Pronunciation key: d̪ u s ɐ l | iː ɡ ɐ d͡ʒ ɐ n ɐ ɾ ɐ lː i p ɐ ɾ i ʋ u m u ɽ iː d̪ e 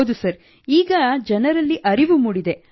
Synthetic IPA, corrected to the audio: d̪ u s ɐ ɾ | iː ɡ ɐ d͡ʒ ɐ n ɐ ɾ ɐ lː i ʔ ɐ ɾ i ʋ u m u ɽ i d̪ e